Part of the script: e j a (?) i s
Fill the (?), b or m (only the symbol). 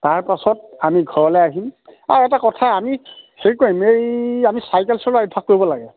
m